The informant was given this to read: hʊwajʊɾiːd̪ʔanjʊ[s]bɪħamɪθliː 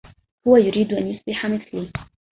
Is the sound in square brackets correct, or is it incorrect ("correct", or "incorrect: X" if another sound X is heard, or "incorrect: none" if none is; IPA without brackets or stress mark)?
correct